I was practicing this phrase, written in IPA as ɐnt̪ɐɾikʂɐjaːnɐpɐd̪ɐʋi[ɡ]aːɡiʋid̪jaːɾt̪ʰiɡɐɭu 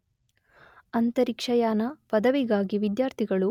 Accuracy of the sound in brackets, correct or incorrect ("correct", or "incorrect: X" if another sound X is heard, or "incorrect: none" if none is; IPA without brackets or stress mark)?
correct